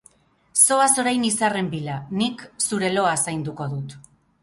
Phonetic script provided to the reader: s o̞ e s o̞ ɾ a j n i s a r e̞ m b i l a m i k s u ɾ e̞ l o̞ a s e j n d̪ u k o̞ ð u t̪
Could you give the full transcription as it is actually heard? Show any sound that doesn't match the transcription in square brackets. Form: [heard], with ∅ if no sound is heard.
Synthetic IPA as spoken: s o̞ [a] s o̞ ɾ a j n i s a r e̞ m b i l a [n] i k s u ɾ e̞ l o̞ a s [a] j n d̪ u k o̞ ð u t̪